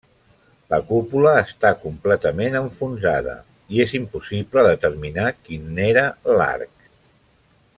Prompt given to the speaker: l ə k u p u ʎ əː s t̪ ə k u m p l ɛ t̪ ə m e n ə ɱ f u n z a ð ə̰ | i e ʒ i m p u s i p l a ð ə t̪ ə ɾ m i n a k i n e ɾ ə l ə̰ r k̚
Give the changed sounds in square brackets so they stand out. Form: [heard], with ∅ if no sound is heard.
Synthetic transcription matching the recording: l ə k u p u [l] əː s t̪ [a] k u m p l ɛ t̪ ə m e n ə ɱ f u n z a ð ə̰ | i e [z] i m p u s i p l [ə] ð ə t̪ ə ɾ m i n a k i n e ɾ ə l [a̰] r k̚